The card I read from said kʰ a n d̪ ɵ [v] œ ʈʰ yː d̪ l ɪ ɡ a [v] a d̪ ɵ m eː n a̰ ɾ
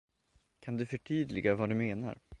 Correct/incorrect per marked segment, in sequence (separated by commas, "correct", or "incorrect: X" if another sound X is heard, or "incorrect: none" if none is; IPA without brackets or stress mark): incorrect: f, correct